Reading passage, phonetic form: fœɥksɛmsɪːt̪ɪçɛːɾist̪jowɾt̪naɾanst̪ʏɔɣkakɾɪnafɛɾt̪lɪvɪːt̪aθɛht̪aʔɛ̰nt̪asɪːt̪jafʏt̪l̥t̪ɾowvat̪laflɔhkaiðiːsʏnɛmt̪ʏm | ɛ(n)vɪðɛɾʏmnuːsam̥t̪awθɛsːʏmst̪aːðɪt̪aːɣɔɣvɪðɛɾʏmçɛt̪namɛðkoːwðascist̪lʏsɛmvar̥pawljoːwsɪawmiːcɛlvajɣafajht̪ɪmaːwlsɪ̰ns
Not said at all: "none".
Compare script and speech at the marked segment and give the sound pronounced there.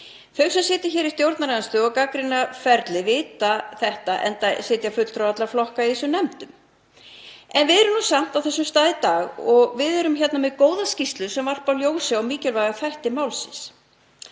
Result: n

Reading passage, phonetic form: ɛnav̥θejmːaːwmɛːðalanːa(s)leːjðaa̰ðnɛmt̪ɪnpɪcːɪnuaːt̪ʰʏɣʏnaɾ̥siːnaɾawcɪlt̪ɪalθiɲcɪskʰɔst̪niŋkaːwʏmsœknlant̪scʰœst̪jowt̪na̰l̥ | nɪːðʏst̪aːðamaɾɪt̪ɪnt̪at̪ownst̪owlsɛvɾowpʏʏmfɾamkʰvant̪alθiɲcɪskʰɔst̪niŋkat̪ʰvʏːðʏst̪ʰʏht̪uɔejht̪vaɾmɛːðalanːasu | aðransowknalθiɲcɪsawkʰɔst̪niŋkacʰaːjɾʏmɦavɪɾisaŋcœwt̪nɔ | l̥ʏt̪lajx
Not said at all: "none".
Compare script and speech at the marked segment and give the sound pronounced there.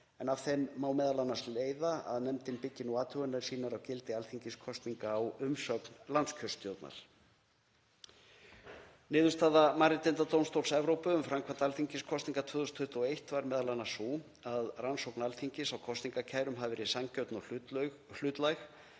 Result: s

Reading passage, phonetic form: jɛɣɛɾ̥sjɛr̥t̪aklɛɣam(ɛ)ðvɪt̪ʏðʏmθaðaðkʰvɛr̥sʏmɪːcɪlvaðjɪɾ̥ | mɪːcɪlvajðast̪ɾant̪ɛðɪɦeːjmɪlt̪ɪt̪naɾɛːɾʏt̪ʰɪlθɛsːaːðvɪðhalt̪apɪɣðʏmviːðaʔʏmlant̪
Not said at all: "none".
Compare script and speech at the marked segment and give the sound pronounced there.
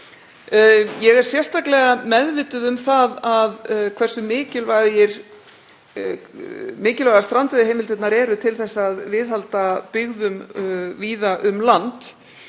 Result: ɛ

